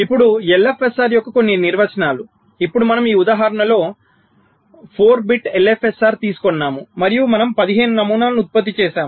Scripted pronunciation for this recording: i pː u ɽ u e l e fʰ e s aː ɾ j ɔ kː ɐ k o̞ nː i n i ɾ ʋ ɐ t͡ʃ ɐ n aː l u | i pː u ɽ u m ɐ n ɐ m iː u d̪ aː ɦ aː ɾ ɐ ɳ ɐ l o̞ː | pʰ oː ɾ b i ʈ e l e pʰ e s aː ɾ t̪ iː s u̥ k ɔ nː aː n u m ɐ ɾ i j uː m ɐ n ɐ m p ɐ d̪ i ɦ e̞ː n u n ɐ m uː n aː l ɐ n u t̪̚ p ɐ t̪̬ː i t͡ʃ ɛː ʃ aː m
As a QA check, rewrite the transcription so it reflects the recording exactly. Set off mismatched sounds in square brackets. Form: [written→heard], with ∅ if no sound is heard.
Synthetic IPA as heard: i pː u ɽ u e l e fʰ e s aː ɾ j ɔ kː ɐ k o̞ nː i n i ɾ ʋ ɐ t͡ʃ ɐ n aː l u | i pː u ɽ u m ɐ n ɐ m iː u d̪ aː ɦ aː ɾ ɐ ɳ ɐ l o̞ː | pʰ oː ɾ b i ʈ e l e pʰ e s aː ɾ t̪ iː s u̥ k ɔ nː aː [n→m] u m ɐ ɾ i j [uː→u] m ɐ n ɐ m p ɐ d̪ i ɦ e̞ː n u n ɐ m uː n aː l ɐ n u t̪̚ p ɐ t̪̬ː i t͡ʃ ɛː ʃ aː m